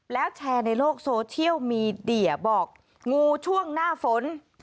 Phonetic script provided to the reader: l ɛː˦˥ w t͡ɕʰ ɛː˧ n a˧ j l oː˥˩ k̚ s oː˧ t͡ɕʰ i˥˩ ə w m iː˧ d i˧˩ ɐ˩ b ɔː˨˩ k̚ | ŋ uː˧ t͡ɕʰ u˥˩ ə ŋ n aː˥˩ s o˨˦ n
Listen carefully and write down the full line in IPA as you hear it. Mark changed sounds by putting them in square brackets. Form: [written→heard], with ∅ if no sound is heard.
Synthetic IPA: l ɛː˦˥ w t͡ɕʰ ɛː˧ n a˧ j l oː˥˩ k̚ s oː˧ t͡ɕʰ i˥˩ ə w m iː˧ d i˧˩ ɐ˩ b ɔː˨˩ k̚ | ŋ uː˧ t͡ɕʰ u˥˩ ə ŋ n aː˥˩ [s→f] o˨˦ n